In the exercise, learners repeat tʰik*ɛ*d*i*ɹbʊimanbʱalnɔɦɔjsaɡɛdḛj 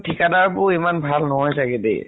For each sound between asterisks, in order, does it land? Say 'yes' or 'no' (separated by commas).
no, no